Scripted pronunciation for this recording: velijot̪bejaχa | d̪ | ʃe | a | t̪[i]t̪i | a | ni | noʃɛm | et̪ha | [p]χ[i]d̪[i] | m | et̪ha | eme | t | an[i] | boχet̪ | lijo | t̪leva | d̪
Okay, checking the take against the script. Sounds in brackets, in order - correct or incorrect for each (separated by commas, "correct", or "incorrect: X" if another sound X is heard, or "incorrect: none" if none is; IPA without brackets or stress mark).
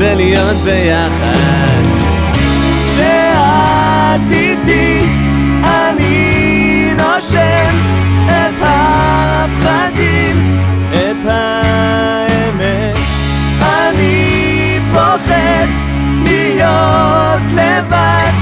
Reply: correct, correct, incorrect: a, correct, correct